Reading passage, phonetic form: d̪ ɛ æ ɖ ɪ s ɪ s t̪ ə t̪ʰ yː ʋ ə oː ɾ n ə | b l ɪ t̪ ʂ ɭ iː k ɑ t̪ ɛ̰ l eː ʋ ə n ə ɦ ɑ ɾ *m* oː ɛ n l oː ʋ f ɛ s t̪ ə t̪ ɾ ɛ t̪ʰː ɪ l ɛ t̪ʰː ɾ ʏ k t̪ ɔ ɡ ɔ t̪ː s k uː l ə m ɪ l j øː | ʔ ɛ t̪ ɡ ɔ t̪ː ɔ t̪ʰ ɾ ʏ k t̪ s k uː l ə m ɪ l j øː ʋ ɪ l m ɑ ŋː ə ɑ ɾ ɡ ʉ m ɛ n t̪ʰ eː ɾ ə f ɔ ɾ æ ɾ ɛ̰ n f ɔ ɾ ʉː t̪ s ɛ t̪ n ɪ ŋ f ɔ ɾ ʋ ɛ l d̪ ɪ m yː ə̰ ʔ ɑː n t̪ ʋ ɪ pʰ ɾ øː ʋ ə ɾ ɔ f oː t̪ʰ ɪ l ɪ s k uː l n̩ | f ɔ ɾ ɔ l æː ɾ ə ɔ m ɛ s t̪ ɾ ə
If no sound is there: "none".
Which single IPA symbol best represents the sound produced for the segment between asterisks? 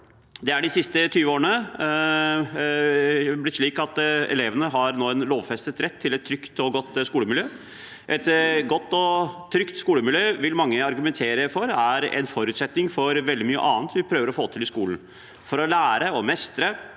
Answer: n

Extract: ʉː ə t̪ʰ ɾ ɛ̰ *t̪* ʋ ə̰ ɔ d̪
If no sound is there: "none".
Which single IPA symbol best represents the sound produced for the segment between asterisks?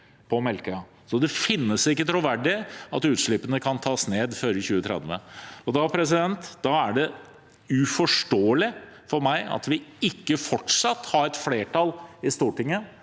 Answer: d̪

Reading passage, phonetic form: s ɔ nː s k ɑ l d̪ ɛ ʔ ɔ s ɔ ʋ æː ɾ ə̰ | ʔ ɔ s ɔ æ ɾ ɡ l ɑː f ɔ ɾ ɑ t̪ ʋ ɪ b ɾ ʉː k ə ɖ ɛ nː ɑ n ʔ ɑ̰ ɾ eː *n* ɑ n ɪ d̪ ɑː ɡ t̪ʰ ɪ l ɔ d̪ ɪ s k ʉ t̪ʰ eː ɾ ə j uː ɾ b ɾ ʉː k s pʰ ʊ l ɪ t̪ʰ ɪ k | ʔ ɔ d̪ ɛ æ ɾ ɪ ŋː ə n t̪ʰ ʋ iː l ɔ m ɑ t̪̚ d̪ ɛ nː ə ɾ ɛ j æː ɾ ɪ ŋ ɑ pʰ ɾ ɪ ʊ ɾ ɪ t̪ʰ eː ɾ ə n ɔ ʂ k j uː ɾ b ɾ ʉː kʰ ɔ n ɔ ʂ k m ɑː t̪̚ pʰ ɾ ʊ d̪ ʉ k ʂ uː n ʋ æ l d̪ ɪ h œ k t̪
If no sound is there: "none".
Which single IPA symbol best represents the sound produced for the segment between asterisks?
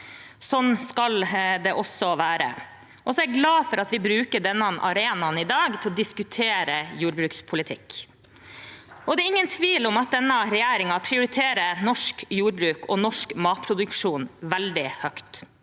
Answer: n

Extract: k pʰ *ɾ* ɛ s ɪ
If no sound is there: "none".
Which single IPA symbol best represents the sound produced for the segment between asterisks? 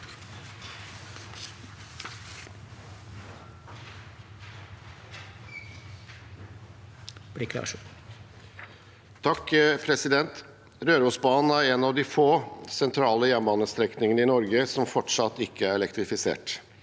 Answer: ɾ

